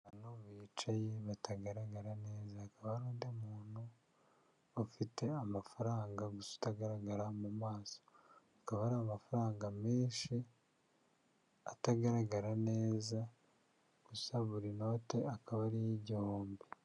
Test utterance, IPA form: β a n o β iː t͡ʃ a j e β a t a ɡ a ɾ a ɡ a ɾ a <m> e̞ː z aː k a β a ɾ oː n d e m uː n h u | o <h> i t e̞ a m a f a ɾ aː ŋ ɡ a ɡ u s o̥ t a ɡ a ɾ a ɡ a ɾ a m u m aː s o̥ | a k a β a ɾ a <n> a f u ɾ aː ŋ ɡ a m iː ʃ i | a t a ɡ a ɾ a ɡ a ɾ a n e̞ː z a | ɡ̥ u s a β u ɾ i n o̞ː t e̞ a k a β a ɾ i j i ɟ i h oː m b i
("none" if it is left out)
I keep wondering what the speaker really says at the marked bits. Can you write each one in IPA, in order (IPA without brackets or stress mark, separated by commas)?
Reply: n, f, m